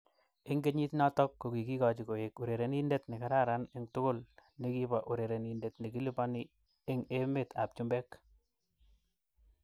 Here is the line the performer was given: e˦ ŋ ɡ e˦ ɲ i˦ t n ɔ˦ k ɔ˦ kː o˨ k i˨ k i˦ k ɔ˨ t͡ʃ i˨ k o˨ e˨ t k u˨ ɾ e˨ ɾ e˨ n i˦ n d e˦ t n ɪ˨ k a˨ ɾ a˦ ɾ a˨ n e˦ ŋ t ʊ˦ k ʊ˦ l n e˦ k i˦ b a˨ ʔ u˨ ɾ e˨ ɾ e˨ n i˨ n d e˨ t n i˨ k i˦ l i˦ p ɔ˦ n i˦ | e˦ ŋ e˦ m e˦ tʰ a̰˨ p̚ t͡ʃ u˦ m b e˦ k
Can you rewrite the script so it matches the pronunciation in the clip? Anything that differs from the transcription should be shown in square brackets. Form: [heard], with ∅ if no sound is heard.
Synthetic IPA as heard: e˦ ŋ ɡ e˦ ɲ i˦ t n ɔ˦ [t] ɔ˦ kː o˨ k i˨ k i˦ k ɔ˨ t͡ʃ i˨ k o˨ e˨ [∅] k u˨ ɾ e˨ ɾ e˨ n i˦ n d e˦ t n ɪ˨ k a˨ ɾ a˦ ɾ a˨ n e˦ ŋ t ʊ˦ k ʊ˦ l n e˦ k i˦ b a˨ ʔ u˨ ɾ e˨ ɾ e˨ n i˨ n d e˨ t n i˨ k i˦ l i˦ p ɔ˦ n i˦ | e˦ ŋ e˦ m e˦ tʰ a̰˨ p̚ t͡ʃ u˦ m b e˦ k